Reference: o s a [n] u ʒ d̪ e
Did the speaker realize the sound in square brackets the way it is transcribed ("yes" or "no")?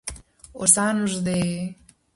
yes